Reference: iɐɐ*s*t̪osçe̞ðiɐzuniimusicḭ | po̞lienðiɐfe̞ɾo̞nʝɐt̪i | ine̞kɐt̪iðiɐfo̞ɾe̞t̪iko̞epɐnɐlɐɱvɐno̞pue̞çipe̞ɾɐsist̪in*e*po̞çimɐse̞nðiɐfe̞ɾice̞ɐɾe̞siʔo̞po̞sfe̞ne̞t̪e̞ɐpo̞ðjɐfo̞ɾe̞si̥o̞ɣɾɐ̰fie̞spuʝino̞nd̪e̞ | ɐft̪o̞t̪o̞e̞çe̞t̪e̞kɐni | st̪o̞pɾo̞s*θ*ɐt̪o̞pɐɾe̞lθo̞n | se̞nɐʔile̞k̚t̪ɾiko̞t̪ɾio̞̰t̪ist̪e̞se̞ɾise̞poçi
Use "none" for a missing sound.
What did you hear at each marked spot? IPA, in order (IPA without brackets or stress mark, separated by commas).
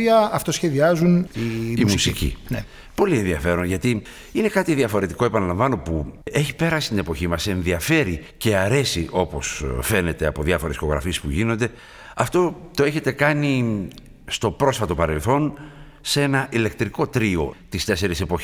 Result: f, e, f